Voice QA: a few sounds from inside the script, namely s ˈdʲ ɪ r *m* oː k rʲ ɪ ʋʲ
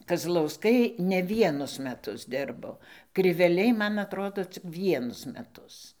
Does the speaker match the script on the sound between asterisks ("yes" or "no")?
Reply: no